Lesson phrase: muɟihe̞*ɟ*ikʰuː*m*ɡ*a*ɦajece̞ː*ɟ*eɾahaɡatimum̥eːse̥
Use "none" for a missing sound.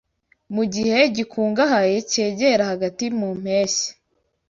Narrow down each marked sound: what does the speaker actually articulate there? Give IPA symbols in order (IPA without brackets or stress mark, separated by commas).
ɟ, ŋ, a, ɟ